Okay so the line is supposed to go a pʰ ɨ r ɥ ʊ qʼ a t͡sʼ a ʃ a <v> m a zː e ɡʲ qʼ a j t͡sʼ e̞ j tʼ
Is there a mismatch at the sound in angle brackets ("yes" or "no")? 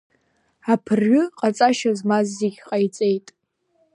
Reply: yes